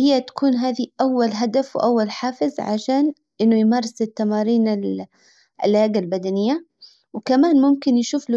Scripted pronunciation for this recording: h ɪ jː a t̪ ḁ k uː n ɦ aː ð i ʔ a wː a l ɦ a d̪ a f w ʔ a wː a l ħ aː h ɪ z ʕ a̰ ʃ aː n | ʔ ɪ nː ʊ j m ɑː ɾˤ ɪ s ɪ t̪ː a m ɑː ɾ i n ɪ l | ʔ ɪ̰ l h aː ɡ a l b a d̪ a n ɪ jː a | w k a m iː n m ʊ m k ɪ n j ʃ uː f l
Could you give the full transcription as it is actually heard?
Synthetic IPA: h ɪ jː a t̪ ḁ k uː n ɦ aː ð i ʔ a wː a l ɦ a d̪ a f w ʔ a wː a l ħ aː f ɪ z ʕ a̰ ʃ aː n | ʔ ɪ nː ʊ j m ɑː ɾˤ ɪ s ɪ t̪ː a m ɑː ɾ iː n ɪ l | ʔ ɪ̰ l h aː ɡ a l b a d̪ a n ɪ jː a | w k a m aː n m ʊ m k ɪ n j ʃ uː f l

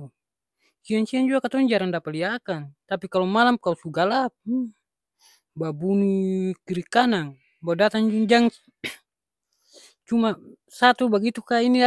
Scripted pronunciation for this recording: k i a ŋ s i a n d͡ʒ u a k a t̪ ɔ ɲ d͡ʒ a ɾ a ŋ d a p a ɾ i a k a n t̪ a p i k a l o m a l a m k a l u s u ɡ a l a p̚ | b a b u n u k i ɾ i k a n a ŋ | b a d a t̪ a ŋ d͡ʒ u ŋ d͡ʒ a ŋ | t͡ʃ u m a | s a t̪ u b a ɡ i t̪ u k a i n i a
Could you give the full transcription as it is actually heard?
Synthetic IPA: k i a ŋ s i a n d͡ʒ u a k a t̪ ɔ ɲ d͡ʒ a ɾ a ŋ d a p a l i a k a n t̪ a p i k a l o m a l a m k a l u s u ɡ a l a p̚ | b a b u n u k i ɾ i k a n a ŋ | b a d a t̪ a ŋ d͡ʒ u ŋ d͡ʒ a ŋ | t͡ʃ u m a | s a t̪ u b a ɡ i t̪ u k a i n i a

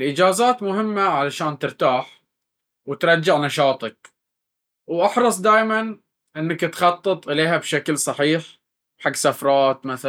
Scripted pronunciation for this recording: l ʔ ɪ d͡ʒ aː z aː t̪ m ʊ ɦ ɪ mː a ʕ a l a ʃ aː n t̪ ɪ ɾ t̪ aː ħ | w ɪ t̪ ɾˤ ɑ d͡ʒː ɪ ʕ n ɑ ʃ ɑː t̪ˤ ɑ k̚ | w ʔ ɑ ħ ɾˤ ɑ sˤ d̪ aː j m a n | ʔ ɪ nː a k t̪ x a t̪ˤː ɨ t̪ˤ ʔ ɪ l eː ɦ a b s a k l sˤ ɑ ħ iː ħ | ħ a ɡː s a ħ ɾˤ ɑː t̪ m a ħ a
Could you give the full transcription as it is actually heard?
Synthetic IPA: l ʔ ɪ d͡ʒ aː z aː t̪ m ʊ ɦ ɪ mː a ʕ a l a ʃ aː n t̪ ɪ ɾ t̪ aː ħ | w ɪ t̪ ɾˤ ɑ d͡ʒː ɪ ʕ n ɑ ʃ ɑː t̪ˤ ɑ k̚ | w ʔ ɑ ħ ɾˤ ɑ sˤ d̪ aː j m a n | ʔ ɪ nː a k t̪ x ɑ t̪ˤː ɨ t̪ˤ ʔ ɪ l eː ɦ a b ʃ a k l sˤ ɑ ħ iː ħ | ħ a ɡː s a f ɾˤ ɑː t̪ m a θ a

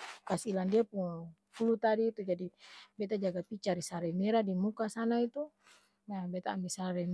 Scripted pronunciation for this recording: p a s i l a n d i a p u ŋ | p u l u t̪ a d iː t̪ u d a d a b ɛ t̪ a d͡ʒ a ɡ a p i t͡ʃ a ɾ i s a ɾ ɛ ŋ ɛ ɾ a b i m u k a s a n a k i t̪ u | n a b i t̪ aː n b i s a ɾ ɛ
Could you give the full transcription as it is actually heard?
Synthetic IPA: k a s i l a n d i a p u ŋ | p u l u t̪ a d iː t̪ u d͡ʒ a d i b ɛ t̪ a d͡ʒ a ɡ a p i t͡ʃ a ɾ i s a ɾ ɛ m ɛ ɾ a d i m u k a s a n a i t̪ u | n a b ɛ t̪ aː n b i s a ɾ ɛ

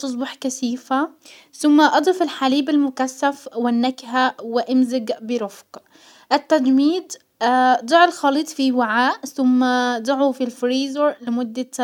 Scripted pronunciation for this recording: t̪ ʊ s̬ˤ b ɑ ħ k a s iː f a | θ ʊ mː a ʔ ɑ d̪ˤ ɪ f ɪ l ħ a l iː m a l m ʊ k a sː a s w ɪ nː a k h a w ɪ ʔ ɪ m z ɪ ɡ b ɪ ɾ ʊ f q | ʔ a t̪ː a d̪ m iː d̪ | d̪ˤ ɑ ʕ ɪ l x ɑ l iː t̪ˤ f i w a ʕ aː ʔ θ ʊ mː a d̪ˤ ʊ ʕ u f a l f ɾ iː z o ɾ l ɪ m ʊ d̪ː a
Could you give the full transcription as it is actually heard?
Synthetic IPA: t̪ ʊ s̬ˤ b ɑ ħ k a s iː f a | θ ʊ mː a ʔ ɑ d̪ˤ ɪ f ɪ l ħ a l iː b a l m ʊ k a sː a f w ɪ nː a k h a w ɪ ʔ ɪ m z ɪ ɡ b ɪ ɾ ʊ f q | ʔ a t̪ː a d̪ m iː d̪ | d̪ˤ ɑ ʕ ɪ l x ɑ l iː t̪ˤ f i w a ʕ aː ʔ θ ʊ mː a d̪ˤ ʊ ʕ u f i l f ɾ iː z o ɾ l ɪ m ʊ d̪ː a

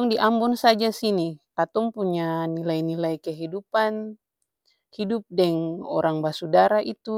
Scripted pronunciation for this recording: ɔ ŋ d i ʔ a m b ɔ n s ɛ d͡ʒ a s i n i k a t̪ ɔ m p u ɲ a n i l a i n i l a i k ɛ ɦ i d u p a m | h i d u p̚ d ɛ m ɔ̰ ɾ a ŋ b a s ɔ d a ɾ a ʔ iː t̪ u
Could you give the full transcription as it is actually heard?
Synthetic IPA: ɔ ŋ d i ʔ a m b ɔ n s a d͡ʒ a s i n i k a t̪ ɔ ŋ p u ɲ a n i l a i n i l a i k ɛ ɦ i d u p a n | h i d u p̚ d ɛ ŋ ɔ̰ ɾ a ŋ b a s u d a ɾ a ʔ i t̪ u

